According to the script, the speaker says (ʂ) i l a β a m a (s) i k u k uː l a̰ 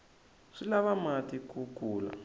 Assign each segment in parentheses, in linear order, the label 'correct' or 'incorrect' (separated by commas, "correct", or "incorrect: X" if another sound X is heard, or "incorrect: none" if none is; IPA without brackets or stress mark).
correct, incorrect: t